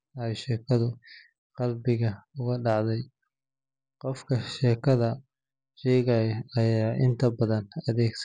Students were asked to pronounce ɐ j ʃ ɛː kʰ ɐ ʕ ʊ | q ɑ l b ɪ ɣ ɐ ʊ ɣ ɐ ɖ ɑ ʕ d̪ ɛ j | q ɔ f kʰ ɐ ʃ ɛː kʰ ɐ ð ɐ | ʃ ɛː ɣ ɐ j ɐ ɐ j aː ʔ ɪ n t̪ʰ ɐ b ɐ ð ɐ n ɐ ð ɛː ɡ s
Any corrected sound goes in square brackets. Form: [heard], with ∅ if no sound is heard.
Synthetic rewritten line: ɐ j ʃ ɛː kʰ ɐ [ð] ʊ | q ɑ l b ɪ ɣ ɐ ʊ ɣ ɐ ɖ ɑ ʕ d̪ ɛ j | q ɔ f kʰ ɐ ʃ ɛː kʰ ɐ ð ɐ | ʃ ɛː ɣ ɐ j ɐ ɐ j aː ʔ ɪ n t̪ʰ ɐ b ɐ ð ɐ n ɐ ð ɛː ɡ s

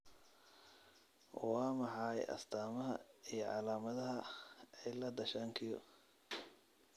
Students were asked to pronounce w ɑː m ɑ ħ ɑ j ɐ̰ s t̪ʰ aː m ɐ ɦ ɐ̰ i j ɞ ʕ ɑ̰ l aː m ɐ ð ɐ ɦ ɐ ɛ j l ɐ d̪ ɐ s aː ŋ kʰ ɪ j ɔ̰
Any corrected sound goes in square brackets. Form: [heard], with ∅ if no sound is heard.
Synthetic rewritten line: w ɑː m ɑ ħ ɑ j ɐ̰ s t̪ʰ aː m ɐ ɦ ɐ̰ i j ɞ ʕ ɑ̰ l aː m ɐ ð ɐ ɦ ɐ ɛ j l ɐ d̪ ɐ [ʃ] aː ŋ kʰ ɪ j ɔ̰

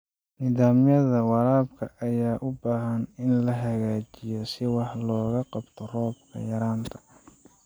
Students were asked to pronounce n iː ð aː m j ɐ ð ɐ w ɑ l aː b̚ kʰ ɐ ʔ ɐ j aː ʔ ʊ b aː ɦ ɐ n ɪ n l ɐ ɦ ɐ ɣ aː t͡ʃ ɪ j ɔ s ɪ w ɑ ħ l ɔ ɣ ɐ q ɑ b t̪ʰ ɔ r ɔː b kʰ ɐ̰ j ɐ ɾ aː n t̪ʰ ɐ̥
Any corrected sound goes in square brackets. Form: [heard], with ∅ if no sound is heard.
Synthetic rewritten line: n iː ð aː m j ɐ ð ɐ w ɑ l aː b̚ kʰ ɐ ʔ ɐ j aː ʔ ʊ b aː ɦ ɐ n ɪ n l ɐ ɦ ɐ ɣ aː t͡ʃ ɪ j ɔ s ɪ w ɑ ħ l [ɔː] ɣ ɐ q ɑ b t̪ʰ ɔ r ɔː b kʰ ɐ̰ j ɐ ɾ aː n t̪ʰ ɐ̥

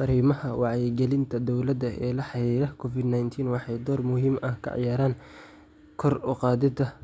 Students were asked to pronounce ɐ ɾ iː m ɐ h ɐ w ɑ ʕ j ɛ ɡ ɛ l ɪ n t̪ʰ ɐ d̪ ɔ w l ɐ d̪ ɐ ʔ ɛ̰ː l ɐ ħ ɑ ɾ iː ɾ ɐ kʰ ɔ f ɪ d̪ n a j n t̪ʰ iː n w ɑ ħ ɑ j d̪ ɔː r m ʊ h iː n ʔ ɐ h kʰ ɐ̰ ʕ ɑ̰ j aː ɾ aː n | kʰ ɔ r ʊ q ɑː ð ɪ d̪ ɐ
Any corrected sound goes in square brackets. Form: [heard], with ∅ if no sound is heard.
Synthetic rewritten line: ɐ ɾ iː m ɐ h ɐ w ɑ ʕ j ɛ ɡ ɛ l ɪ n t̪ʰ ɐ d̪ ɔ w l ɐ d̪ ɐ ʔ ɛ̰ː l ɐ ħ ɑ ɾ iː ɾ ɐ kʰ ɔ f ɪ d̪ n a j n t̪ʰ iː n w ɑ ħ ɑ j d̪ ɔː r m ʊ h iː [m] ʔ ɐ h kʰ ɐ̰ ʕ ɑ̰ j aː ɾ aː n | kʰ ɔ r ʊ q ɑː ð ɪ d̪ ɐ

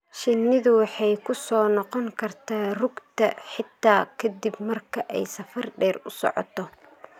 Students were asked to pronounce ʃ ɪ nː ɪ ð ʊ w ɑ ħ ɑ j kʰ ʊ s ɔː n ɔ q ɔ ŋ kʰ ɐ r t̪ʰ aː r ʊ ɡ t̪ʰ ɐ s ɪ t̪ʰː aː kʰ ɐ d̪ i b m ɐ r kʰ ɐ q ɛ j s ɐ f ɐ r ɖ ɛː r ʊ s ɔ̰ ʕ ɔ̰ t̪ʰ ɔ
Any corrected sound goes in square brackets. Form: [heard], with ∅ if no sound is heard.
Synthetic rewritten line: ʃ ɪ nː ɪ ð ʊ w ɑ ħ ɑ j kʰ ʊ s ɔː n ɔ q ɔ ŋ kʰ ɐ r t̪ʰ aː r ʊ ɡ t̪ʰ ɐ [ħ] ɪ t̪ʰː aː kʰ ɐ d̪ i b m ɐ r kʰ ɐ [ʔ] ɛ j s ɐ f ɐ r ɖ ɛː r ʊ s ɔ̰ ʕ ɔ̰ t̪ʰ ɔ

